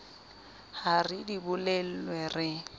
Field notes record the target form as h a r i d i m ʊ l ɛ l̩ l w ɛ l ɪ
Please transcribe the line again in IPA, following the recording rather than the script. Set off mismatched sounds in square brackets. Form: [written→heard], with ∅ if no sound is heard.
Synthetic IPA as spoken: h a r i d i [m→b] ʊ l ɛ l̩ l w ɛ [l→r] ɪ